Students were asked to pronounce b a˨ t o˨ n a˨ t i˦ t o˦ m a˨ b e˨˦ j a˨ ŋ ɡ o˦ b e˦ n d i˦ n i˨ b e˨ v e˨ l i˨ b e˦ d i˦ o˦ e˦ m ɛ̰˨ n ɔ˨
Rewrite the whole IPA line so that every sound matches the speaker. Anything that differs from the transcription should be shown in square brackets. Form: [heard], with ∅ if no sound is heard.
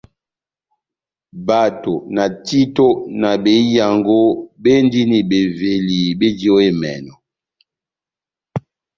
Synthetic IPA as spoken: b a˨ t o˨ n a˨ t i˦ t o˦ [n] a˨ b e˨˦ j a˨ ŋ ɡ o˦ b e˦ n d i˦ n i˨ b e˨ v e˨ l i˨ b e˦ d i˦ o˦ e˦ m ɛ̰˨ n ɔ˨